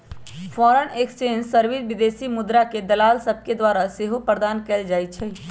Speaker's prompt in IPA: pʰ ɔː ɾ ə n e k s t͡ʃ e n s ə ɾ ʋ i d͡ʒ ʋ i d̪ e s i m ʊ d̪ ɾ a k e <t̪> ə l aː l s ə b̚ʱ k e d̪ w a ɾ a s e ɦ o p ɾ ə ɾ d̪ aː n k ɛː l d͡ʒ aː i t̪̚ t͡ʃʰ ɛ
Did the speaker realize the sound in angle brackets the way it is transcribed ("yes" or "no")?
no